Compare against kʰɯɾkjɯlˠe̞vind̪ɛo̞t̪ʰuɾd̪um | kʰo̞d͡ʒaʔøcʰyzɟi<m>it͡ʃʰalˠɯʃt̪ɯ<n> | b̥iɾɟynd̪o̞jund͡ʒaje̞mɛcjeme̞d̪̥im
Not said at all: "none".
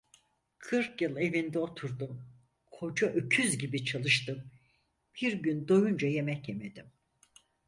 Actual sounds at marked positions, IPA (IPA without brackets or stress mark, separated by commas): b, m